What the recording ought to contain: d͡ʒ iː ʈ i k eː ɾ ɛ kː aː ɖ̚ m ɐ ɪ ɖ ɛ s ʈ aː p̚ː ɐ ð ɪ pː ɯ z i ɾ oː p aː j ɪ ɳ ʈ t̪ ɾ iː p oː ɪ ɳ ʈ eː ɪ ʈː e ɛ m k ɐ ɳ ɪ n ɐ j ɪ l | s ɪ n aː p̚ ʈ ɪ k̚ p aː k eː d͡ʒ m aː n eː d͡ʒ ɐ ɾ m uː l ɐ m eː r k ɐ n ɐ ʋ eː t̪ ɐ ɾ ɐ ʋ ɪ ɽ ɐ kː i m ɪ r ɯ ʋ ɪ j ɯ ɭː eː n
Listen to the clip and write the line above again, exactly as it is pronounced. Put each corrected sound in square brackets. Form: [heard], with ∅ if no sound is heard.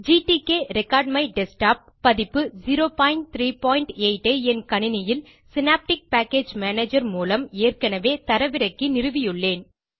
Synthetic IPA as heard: d͡ʒ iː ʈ i k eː ɾ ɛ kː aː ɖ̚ m ɐ ɪ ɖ ɛ s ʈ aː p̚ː ɐ ð ɪ pː ɯ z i ɾ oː p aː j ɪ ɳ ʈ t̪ ɾ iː p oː ɪ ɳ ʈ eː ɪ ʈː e ɛ [n] k ɐ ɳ ɪ n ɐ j ɪ l | s ɪ n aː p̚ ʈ ɪ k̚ p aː k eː d͡ʒ m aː n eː d͡ʒ ɐ ɾ m uː l ɐ m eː r k ɐ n ɐ ʋ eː t̪ ɐ ɾ ɐ ʋ ɪ [ɾ] ɐ kː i [n] ɪ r ɯ ʋ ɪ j ɯ ɭː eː n